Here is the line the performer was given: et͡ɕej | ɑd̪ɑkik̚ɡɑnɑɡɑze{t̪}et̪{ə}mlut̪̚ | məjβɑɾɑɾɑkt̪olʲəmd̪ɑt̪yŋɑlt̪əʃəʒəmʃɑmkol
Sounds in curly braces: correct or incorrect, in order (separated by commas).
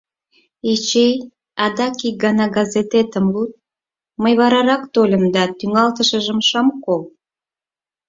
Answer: correct, correct